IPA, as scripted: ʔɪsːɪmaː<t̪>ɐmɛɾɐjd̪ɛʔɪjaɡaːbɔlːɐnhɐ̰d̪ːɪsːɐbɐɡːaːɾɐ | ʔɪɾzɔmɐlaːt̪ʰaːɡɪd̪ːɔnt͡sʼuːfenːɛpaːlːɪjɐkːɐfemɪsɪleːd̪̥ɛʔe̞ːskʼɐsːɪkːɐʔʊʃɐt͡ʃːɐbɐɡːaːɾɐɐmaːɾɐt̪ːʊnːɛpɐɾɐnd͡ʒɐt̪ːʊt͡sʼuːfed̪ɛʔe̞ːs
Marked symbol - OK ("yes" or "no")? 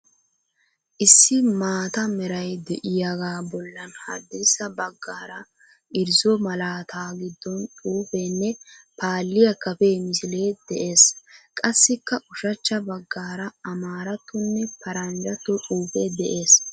yes